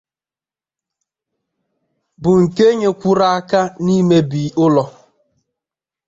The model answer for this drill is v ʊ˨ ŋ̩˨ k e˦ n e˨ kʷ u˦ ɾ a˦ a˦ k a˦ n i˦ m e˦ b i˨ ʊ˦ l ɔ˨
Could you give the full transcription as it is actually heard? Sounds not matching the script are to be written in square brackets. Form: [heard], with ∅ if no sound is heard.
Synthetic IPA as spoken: [b] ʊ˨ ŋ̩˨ k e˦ [ɲ] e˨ kʷ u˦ ɾ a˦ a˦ k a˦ n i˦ m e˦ b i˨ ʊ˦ l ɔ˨